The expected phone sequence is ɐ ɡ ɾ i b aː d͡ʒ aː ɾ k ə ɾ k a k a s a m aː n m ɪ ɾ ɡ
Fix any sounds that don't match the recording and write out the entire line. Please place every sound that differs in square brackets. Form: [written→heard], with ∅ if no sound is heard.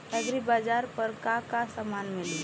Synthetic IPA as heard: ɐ ɡ ɾ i b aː d͡ʒ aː ɾ [k→p] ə ɾ k a k a s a m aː n m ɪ [ɾ→l] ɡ